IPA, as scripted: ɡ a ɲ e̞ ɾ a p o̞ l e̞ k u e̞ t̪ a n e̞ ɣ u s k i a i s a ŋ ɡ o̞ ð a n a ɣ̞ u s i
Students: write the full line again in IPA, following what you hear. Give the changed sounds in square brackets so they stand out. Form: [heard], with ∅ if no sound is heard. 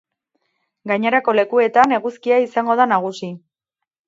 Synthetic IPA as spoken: ɡ a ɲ e̞ ɾ a [k] o̞ l e̞ k u e̞ t̪ a n e̞ ɣ u s k i a i s a ŋ ɡ o̞ ð a n a ɣ̞ u s i

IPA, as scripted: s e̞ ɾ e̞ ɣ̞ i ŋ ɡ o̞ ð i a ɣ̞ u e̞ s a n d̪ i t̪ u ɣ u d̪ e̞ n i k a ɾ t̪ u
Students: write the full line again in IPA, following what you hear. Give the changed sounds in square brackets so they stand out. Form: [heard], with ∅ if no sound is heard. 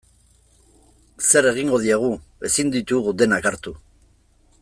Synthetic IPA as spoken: s e̞ ɾ e̞ ɣ̞ i ŋ ɡ o̞ ð i a ɣ̞ u e̞ s [i] n d̪ i t̪ u ɣ u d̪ e̞ n [a] k a ɾ t̪ u

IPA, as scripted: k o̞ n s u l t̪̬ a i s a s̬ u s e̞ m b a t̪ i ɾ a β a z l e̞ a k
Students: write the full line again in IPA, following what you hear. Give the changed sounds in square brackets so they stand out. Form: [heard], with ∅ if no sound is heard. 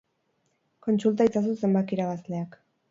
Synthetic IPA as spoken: k o̞ n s u l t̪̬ a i [t͡s] a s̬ u s e̞ m b a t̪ i ɾ a β a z l e̞ a k

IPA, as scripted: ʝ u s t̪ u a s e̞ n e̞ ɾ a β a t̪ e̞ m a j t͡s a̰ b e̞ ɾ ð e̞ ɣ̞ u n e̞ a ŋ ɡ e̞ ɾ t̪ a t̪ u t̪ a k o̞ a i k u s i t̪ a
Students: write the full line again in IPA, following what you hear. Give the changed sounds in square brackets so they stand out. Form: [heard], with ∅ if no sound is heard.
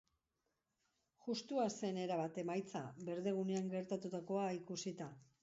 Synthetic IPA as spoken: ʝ u s t̪ u a s e̞ n e̞ ɾ a β a t̪ e̞ m a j t͡s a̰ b e̞ ɾ ð e̞ ɣ̞ u n e̞ a ŋ ɡ e̞ ɾ t̪ a t̪ u t̪ a k o̞ a i k u s i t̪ a

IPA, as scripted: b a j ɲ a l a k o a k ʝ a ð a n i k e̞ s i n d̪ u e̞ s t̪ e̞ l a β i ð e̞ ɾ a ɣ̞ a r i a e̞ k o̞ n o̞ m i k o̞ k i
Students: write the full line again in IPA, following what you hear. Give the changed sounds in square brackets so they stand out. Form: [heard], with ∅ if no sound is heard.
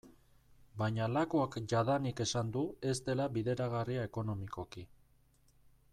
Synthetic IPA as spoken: b a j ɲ a l a k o a k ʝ a ð a n i k e̞ s [a] n d̪ u e̞ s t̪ e̞ l a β i ð e̞ ɾ a ɣ̞ a r i a e̞ k o̞ n o̞ m i k o̞ k i

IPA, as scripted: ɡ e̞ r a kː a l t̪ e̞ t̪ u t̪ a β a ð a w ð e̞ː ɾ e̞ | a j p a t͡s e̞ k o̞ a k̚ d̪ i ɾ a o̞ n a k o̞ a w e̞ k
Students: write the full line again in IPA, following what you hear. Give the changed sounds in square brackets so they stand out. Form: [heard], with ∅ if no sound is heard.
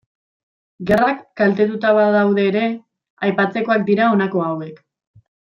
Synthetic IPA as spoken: ɡ e̞ r a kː a l t̪ e̞ t̪ u t̪ a β a ð a w ð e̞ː ɾ e̞ | a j p a t͡s e̞ k o̞ a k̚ d̪ i ɾ a o̞ n a k o̞ a w e̞ k

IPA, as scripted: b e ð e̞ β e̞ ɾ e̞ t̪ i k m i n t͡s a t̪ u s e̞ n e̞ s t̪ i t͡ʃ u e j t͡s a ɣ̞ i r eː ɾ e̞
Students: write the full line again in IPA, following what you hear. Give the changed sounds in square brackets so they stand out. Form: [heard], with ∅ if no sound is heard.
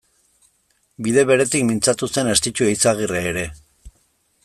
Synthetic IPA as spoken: b [i] ð e̞ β e̞ ɾ e̞ t̪ i k m i n t͡s a t̪ u s e̞ n e̞ s t̪ i t͡ʃ u e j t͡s a ɣ̞ i r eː ɾ e̞

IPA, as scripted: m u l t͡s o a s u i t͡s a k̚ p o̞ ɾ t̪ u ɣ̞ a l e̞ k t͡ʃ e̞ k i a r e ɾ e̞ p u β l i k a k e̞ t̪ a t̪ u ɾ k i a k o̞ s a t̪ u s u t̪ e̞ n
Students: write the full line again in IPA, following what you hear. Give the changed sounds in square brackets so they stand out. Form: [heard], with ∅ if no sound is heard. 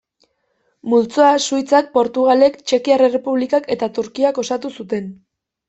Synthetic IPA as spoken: m u l t͡s o a s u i t͡s a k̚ p o̞ ɾ t̪ u ɣ̞ a l e̞ k t͡ʃ e̞ k i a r e [r] e̞ p u β l i k a k e̞ t̪ a t̪ u ɾ k i a k o̞ s a t̪ u s u t̪ e̞ n

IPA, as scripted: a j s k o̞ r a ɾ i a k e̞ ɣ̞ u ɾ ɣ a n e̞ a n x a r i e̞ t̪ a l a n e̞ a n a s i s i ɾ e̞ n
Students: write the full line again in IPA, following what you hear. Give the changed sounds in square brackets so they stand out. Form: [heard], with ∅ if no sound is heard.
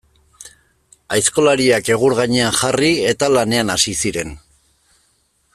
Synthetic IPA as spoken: a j s k o̞ [l] a ɾ i a k e̞ ɣ̞ u ɾ ɣ a [ɲ] e̞ a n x a r i e̞ t̪ a l a n e̞ a n a s i s i ɾ e̞ n

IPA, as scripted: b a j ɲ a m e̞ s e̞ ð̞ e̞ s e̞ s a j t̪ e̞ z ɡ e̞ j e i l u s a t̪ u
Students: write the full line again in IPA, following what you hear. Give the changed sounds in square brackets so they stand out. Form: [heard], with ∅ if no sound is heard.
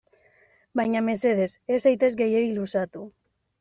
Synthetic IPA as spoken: b a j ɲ a m e̞ s e̞ ð̞ e̞ s e̞ s a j t̪ e̞ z ɡ e̞ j e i l u s a t̪ u

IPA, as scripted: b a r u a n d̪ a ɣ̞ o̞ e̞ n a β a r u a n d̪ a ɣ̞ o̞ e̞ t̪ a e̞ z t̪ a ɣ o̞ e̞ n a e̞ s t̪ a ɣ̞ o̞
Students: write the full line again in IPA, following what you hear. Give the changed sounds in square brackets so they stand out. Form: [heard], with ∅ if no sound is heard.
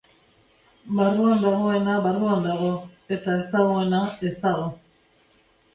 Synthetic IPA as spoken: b a r u a n d̪ a ɣ̞ o̞ e̞ n a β a r u a n d̪ a ɣ̞ o̞ e̞ t̪ a e̞ [s] t̪ a ɣ o̞ e̞ n a e̞ s t̪ a ɣ̞ o̞

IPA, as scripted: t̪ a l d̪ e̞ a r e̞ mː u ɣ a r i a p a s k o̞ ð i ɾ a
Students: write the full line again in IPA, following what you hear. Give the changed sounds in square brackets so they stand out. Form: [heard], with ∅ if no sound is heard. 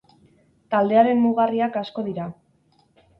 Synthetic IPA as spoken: t̪ a l d̪ e̞ a [ɾ] e̞ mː u ɣ a r i a [k] a s k o̞ ð i ɾ a

